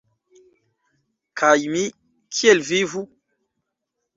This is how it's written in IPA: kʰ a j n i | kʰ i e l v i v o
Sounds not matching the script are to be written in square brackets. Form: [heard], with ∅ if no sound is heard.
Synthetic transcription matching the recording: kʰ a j [m] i | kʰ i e l v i v [u]